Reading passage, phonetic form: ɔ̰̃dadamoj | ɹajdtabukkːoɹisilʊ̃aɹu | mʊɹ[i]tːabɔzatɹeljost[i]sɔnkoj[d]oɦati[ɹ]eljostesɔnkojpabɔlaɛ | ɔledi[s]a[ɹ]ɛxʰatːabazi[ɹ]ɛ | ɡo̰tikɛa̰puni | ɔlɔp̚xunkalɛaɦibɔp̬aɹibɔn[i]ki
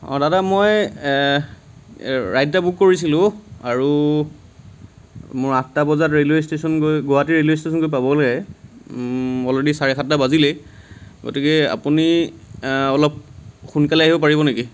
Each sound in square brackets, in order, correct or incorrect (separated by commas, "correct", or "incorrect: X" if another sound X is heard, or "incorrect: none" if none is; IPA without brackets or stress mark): incorrect: a, incorrect: e, incorrect: ɡ, correct, correct, correct, incorrect: l, incorrect: e